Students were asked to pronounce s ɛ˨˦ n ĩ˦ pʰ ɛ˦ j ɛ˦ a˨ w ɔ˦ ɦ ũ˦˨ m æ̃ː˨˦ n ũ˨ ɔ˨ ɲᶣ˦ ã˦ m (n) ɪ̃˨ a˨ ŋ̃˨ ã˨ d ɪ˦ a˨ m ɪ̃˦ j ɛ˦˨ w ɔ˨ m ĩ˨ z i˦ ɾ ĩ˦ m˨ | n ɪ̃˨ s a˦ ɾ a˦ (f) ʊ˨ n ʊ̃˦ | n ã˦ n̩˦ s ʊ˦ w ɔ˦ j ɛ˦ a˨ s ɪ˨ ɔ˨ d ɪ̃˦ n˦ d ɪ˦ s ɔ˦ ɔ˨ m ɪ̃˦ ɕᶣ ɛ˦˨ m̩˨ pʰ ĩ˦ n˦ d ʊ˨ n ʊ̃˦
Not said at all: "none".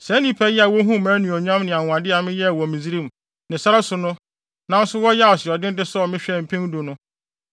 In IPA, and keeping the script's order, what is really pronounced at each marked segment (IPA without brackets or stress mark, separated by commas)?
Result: n, s